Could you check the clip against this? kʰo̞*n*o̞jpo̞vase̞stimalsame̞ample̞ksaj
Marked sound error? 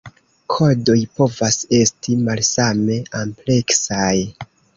yes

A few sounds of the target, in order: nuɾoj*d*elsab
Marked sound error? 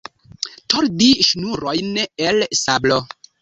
yes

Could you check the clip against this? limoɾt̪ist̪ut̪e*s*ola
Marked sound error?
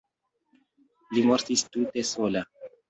no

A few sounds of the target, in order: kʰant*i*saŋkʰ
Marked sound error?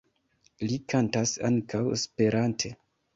yes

